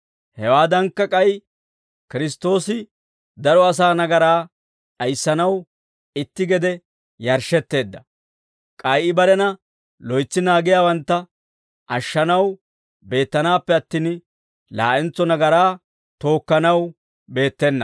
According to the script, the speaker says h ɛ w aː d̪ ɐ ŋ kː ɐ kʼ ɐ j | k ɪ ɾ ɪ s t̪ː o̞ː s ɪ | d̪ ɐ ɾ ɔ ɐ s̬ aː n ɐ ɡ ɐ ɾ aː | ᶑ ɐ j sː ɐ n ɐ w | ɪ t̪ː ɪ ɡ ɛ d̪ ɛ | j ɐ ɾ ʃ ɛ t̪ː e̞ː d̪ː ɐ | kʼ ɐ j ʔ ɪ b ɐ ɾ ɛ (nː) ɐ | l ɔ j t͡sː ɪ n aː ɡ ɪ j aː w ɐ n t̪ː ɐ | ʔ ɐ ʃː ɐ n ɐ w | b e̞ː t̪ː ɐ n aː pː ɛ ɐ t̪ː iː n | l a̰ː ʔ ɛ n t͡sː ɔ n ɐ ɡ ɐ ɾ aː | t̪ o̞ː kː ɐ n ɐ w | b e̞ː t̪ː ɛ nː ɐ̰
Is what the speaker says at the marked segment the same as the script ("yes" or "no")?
no